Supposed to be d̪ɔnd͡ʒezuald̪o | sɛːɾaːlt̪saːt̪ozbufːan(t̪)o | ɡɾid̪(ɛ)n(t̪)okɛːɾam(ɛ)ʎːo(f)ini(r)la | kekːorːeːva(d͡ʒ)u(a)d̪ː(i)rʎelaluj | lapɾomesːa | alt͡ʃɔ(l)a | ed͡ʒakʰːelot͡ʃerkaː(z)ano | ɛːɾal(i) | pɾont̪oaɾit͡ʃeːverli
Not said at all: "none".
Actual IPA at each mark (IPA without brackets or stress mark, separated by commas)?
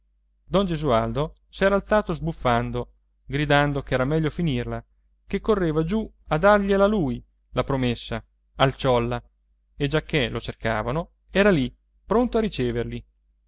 d̪, a, d̪, ɛ, f, r, d͡ʒ, a, a, lː, v, i